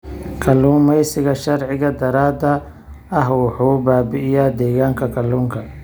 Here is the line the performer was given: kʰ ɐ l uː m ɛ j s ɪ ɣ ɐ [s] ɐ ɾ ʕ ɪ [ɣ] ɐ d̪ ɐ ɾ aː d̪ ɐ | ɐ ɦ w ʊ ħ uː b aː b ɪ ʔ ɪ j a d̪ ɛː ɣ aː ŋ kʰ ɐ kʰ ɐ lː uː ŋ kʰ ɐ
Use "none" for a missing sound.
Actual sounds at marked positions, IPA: ʃ, ɣ

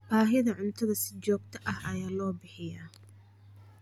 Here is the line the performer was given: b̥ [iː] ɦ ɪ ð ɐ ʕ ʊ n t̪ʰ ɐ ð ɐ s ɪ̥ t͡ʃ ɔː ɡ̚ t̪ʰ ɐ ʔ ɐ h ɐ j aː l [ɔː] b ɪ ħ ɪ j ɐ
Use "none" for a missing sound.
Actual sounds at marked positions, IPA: aː, ɔː

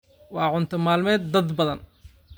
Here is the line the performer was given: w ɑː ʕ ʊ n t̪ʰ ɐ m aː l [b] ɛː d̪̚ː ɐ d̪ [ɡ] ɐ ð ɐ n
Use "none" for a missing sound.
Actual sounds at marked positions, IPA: m, b

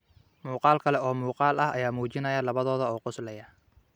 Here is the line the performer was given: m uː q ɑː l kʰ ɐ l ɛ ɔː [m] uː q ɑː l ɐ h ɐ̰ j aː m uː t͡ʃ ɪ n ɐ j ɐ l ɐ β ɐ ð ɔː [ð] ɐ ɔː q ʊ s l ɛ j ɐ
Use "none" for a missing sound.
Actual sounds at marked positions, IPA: m, ð

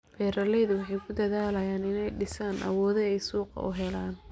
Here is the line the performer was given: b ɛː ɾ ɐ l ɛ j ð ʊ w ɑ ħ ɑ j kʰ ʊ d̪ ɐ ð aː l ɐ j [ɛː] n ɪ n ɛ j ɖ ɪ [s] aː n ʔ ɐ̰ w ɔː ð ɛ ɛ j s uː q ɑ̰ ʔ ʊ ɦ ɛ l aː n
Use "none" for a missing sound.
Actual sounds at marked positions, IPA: aː, s

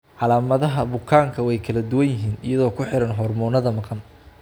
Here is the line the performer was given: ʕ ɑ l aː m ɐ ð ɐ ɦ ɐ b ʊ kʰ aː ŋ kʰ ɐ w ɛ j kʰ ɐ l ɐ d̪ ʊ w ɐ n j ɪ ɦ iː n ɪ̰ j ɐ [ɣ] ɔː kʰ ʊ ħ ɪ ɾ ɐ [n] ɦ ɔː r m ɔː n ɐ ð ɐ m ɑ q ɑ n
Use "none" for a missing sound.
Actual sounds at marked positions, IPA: ð, n

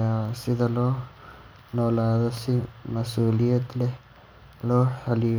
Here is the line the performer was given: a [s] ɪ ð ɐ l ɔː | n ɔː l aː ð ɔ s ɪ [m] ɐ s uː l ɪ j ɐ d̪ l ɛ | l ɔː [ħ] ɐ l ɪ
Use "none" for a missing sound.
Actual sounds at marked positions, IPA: s, m, ħ

